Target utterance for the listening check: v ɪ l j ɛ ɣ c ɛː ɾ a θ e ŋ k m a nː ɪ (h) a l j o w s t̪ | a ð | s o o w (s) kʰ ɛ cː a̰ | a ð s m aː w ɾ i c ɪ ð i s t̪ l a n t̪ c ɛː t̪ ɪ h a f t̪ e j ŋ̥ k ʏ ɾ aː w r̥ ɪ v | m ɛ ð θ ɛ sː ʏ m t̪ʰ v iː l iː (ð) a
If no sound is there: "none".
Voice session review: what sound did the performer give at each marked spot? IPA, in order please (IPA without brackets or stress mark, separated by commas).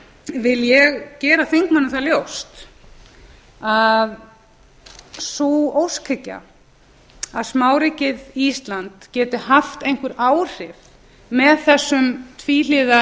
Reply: θ, s, ð